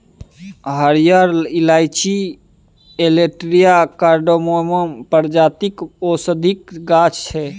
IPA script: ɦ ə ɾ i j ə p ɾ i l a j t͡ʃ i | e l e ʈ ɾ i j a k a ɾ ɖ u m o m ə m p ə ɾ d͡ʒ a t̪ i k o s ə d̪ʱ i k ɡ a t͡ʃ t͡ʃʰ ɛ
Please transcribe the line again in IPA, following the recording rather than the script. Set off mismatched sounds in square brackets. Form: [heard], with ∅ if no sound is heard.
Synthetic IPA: ɦ ə ɾ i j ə [∅] ɾ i l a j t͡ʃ i | e l e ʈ ɾ i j a k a ɾ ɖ [o] m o m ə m p ə ɾ d͡ʒ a t̪ i k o s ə d̪ʱ i k ɡ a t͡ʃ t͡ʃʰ ɛ